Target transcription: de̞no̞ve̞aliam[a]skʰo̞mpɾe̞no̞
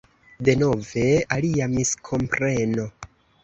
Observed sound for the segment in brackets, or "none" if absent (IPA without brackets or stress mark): i